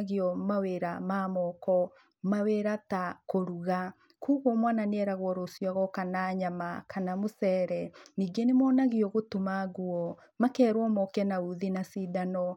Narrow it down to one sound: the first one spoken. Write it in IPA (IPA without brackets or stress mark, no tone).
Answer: ɣ